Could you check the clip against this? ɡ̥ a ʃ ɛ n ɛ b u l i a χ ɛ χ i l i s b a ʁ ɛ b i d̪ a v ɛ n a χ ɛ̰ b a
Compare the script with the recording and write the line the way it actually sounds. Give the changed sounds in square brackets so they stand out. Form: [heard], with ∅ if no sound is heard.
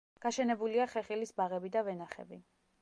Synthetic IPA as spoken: ɡ̥ a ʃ ɛ n ɛ b u l i a χ ɛ χ i l i s b a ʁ ɛ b i d̪ a v ɛ n a χ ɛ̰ b [i]